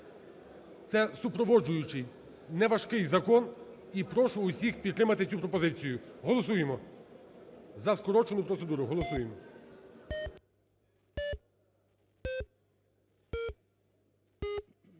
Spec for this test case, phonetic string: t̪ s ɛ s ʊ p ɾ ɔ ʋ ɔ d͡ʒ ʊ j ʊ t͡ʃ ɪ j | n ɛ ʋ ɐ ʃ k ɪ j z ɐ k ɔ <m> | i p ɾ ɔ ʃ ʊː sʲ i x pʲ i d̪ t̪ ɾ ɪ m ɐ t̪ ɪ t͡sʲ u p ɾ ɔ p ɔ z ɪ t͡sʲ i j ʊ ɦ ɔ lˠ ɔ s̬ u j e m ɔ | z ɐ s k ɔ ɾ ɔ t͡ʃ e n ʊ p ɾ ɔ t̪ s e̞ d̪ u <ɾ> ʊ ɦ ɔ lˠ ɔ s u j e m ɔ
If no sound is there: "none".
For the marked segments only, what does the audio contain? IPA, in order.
n, ɾ

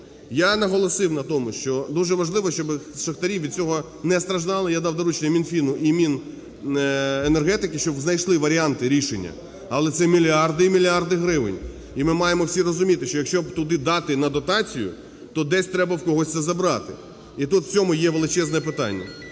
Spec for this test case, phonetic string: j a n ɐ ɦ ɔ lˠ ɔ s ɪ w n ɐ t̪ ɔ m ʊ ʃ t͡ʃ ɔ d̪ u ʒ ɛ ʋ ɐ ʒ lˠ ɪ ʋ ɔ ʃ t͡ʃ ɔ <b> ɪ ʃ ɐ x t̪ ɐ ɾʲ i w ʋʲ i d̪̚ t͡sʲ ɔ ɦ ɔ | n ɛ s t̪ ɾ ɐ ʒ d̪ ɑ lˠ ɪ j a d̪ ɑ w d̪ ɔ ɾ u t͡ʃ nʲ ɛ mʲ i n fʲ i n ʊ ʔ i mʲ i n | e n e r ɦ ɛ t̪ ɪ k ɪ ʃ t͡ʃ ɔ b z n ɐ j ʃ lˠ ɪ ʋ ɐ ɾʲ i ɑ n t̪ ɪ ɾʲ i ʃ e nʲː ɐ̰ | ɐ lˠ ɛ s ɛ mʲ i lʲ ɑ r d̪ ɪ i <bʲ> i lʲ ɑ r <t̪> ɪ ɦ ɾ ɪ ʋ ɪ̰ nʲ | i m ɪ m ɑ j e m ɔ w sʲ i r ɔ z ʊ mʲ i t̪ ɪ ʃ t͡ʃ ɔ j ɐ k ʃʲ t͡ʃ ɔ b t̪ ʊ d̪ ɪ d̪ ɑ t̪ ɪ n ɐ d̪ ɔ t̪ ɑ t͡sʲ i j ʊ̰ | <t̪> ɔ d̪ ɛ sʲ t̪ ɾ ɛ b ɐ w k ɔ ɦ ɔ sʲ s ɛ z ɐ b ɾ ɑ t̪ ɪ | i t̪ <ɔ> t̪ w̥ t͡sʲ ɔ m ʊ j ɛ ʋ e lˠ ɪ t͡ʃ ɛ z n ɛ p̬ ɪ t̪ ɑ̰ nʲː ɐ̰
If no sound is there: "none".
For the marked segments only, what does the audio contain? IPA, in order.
b, mʲ, d̪, t̪, u

